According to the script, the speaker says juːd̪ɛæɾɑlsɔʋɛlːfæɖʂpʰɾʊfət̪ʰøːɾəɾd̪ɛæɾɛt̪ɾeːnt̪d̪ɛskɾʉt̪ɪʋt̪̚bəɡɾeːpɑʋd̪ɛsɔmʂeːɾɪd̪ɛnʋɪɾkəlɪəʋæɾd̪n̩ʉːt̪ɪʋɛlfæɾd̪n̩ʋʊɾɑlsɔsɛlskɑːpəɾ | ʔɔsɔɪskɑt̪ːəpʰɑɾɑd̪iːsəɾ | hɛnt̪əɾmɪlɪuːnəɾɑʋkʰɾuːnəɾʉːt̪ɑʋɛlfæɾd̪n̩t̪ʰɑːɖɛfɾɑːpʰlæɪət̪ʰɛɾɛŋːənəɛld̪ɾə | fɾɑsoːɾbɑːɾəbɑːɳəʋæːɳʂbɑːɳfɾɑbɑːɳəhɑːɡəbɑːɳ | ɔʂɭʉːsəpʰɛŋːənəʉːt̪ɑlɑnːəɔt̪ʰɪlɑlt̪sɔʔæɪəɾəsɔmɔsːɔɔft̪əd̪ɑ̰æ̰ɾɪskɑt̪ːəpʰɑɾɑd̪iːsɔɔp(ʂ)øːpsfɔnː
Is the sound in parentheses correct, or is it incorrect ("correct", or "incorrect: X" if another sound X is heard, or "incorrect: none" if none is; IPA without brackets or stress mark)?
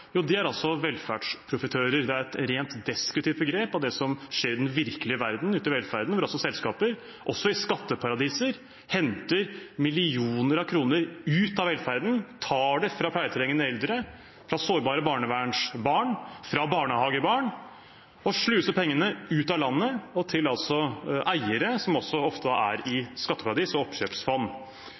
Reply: incorrect: ɕ